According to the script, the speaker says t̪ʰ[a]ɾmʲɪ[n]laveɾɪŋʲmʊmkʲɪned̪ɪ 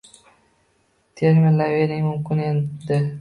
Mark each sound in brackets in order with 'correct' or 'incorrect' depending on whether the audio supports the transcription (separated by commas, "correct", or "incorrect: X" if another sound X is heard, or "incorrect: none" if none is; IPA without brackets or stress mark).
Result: incorrect: e, correct